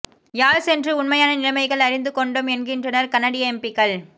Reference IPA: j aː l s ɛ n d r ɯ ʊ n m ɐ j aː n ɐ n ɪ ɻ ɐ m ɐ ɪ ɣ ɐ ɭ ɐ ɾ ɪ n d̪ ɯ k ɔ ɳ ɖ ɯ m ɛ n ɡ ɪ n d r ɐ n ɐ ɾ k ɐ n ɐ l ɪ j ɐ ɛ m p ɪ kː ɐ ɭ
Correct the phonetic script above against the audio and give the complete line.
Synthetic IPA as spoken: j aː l s ɛ n d r ɯ ʊ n m ɐ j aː n ɐ n ɪ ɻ ɐ m ɐ ɪ ɣ ɐ ɭ ɐ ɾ ɪ n d̪ ɯ k ɔ ɳ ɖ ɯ m ɛ n ɡ ɪ n d r ɐ n ɐ ɾ k ɐ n ɐ ɽ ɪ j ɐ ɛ m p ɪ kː ɐ ɭ